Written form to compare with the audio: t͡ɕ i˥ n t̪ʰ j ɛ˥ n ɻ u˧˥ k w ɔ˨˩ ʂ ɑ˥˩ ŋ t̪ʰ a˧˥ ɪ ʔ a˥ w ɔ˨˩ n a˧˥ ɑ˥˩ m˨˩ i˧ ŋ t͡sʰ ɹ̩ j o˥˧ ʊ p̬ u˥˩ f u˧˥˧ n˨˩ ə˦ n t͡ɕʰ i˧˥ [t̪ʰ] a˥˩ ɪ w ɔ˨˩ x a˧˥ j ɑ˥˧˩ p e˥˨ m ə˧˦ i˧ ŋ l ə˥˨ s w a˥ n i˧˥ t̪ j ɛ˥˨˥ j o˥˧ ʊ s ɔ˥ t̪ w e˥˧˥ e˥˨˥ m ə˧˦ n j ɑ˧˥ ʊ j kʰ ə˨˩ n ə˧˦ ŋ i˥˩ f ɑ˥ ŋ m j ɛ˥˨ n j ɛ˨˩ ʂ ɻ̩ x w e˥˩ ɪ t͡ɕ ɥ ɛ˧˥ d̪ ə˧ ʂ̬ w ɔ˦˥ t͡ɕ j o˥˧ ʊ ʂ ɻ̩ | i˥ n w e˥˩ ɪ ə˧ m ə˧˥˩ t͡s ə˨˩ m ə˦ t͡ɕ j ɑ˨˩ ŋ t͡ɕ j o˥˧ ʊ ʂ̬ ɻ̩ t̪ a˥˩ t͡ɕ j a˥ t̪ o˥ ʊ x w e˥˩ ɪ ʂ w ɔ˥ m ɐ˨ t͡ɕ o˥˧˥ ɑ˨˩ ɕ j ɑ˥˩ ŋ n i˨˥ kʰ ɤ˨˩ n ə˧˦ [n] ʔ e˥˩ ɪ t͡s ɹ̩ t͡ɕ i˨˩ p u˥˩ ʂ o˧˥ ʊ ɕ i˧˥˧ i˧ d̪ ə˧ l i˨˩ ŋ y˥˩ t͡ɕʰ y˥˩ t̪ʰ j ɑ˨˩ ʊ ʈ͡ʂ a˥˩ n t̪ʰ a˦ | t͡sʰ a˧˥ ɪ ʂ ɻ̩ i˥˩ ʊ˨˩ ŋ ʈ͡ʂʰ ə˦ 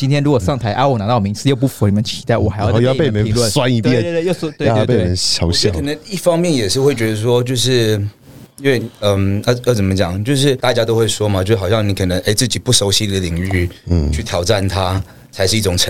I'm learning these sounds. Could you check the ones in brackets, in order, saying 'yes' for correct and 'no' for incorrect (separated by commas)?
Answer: no, no